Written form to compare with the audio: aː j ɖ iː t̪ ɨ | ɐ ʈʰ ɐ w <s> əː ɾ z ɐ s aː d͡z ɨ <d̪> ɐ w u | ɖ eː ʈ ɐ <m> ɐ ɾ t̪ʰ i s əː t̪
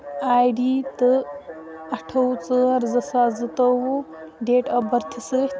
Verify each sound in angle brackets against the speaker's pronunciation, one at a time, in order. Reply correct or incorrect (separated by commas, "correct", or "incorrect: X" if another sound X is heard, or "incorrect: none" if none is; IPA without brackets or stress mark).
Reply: incorrect: t͡s, incorrect: t̪, incorrect: b